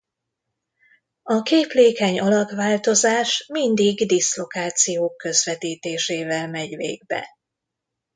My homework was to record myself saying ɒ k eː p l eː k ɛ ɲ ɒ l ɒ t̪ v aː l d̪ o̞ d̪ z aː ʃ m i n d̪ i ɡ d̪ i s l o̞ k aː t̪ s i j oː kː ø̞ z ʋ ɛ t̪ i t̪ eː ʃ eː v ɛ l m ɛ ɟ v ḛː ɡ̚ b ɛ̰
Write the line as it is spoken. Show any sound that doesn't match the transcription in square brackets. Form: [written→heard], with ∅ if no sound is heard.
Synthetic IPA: ɒ k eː p l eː k ɛ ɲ ɒ l ɒ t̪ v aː l [d̪→t̪] o̞ [d̪→∅] z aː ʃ m i n d̪ i ɡ d̪ i s l o̞ k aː t̪ s i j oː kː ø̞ z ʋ ɛ t̪ [i→iː] t̪ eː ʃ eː v ɛ l m ɛ ɟ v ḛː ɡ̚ b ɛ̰